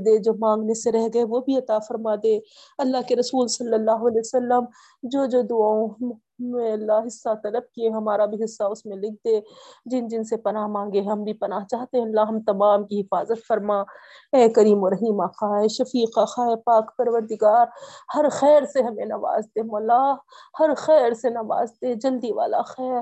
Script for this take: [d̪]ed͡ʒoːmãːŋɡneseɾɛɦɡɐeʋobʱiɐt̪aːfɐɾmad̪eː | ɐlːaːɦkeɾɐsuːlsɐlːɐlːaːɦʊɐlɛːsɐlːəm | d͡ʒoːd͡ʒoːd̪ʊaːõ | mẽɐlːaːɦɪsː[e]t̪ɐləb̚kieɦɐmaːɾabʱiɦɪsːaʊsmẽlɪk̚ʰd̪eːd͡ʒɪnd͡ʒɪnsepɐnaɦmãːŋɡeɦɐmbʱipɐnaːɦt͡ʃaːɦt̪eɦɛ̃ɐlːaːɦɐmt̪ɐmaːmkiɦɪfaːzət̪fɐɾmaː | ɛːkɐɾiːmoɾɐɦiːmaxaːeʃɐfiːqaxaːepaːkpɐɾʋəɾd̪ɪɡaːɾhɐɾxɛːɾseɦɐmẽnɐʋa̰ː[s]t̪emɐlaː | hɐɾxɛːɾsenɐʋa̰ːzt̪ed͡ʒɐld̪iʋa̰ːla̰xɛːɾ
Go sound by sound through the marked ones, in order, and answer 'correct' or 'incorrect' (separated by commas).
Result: correct, incorrect, incorrect